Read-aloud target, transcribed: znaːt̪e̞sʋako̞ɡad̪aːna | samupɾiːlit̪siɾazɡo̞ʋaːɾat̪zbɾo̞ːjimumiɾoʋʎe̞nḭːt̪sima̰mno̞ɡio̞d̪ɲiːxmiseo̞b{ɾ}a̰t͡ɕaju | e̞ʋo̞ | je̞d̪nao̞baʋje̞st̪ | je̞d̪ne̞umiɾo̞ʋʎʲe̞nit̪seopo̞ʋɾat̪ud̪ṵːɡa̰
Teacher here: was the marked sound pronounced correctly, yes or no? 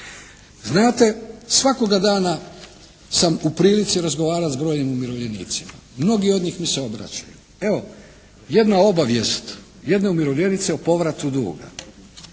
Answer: yes